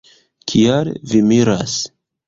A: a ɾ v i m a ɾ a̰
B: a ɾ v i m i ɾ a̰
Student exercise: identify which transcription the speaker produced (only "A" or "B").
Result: B